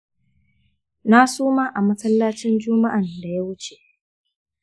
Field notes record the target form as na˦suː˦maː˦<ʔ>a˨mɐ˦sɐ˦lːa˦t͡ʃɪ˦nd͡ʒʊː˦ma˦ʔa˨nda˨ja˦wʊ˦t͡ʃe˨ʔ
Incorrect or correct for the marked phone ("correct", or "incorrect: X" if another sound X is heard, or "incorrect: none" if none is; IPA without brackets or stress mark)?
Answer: correct